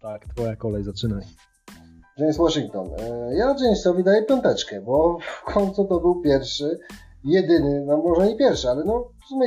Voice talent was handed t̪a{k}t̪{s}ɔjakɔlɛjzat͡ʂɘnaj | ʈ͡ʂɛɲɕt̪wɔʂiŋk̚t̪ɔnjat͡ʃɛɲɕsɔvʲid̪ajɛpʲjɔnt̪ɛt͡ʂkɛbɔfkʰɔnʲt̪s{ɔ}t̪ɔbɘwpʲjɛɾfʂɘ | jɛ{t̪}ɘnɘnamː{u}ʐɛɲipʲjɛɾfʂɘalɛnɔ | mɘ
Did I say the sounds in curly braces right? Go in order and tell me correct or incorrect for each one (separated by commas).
correct, incorrect, incorrect, incorrect, incorrect